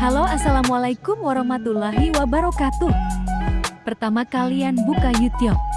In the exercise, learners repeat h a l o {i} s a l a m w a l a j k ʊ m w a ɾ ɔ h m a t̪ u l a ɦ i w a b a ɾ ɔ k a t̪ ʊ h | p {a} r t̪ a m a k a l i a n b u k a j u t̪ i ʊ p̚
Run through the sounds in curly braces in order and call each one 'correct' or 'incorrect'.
incorrect, incorrect

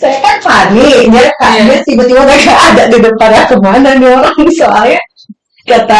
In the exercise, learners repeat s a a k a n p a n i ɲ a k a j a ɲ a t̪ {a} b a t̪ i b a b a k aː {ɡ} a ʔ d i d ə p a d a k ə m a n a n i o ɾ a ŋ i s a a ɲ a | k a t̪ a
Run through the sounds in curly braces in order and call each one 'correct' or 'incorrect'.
incorrect, incorrect

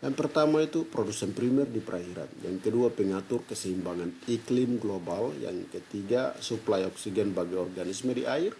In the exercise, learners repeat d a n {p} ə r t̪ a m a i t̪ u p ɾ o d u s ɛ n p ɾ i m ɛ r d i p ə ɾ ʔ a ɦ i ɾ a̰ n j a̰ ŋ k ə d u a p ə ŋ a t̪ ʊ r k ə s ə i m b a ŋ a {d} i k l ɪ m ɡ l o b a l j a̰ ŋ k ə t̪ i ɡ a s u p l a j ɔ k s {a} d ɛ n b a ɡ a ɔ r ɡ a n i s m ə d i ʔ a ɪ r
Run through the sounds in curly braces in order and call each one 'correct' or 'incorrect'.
correct, incorrect, incorrect

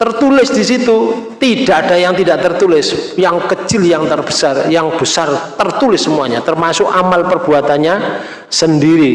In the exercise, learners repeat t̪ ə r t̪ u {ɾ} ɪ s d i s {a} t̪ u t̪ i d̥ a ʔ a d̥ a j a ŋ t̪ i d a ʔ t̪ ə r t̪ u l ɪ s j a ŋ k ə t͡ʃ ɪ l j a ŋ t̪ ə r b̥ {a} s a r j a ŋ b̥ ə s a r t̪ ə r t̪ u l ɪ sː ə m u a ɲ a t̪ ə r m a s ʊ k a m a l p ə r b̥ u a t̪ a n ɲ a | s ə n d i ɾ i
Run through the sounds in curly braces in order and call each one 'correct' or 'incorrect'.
incorrect, incorrect, incorrect

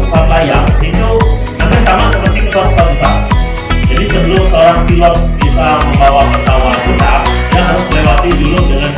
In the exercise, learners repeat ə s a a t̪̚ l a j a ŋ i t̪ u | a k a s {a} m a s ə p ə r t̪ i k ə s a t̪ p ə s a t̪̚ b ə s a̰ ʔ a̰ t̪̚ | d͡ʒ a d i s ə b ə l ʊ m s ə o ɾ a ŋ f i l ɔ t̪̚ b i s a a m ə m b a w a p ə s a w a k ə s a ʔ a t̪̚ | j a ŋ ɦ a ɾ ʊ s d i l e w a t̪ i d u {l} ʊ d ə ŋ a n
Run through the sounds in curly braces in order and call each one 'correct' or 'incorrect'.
correct, correct

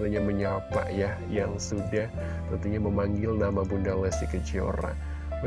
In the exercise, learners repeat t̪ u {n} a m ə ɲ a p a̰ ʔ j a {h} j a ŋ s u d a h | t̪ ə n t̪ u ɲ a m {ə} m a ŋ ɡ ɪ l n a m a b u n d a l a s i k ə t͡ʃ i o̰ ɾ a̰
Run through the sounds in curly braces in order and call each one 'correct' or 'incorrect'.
incorrect, correct, correct

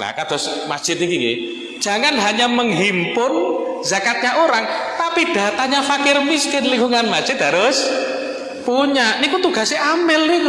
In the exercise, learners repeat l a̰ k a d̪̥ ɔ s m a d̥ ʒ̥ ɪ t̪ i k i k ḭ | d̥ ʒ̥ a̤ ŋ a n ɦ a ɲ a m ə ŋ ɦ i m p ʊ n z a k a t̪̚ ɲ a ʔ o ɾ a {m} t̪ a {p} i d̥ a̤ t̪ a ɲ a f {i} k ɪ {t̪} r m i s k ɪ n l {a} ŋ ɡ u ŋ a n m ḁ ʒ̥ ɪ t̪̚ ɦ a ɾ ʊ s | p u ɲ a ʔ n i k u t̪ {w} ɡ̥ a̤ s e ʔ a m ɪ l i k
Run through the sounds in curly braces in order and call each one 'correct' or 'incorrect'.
incorrect, correct, incorrect, incorrect, incorrect, incorrect

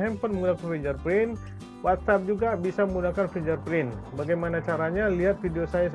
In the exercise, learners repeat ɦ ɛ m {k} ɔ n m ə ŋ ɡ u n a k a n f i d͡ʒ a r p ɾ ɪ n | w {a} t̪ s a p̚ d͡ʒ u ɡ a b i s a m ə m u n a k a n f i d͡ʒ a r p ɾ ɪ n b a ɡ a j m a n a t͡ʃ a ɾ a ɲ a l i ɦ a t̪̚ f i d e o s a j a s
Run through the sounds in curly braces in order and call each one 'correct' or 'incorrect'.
incorrect, correct

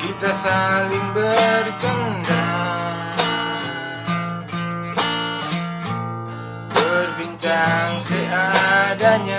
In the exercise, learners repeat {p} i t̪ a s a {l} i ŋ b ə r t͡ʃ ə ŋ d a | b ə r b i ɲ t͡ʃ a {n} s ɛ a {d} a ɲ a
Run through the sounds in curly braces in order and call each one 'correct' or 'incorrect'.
incorrect, correct, incorrect, correct

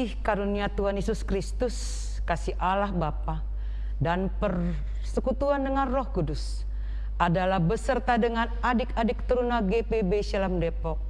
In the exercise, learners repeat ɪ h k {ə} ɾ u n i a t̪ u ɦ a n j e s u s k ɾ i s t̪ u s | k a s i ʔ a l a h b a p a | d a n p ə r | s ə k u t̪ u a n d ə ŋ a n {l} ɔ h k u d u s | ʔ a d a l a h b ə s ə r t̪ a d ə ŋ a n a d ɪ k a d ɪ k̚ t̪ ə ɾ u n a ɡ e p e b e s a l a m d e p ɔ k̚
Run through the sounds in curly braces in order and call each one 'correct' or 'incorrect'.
incorrect, incorrect

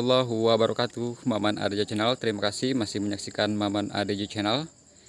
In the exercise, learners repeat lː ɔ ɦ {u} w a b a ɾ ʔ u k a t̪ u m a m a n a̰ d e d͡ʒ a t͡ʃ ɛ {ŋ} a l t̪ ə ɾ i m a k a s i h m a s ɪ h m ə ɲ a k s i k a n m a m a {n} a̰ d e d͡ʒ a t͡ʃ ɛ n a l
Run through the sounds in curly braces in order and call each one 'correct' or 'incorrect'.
correct, incorrect, correct

